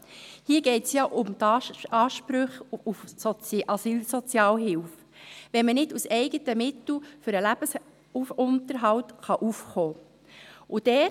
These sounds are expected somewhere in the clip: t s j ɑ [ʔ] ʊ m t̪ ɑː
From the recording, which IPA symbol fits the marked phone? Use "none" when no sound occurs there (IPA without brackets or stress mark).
ʔ